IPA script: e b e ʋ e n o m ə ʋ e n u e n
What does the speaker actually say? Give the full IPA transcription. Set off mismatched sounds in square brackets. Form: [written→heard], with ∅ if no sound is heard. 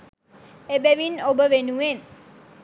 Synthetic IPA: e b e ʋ [e→i] n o [m→b] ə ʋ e n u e n